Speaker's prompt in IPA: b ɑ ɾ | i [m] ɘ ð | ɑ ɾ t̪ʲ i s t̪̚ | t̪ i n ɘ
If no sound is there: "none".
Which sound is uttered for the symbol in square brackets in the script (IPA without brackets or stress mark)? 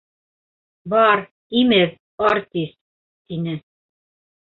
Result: m